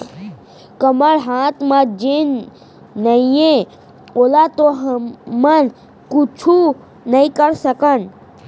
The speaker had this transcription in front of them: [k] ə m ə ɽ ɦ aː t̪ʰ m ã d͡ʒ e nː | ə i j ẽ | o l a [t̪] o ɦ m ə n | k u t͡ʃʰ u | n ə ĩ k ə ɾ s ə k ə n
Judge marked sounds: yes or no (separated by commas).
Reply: yes, yes